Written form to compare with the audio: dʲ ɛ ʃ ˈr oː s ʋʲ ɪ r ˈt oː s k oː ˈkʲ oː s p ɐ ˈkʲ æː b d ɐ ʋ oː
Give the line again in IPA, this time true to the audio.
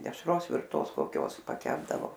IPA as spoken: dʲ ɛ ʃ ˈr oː s ʋʲ ɪ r ˈt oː s k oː ˈkʲ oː s p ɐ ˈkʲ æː b d ɐ ʋ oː